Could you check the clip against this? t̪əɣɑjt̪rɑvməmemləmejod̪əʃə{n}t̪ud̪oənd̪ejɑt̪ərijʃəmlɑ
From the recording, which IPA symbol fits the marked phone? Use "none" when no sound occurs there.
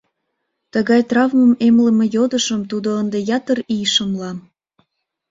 m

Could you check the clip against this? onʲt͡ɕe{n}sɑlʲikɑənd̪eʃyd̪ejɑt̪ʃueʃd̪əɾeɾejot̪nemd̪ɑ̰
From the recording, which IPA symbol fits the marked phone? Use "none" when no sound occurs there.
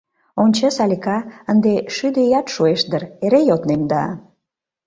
none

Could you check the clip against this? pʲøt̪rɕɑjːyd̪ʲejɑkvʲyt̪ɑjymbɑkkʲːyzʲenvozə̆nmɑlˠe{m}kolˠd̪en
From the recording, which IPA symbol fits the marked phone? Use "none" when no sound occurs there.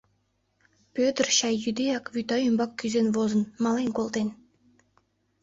n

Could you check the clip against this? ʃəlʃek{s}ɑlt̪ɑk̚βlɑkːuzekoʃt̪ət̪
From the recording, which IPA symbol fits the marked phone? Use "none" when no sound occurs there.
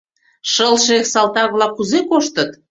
s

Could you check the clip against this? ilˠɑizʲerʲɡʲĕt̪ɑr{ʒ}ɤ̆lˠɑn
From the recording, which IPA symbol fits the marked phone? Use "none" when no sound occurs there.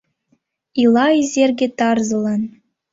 z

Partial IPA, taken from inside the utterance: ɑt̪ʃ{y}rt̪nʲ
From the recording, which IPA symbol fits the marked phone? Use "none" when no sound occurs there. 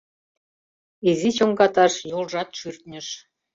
y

